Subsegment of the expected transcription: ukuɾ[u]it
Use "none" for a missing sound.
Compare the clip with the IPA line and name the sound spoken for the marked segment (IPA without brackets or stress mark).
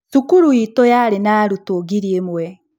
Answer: u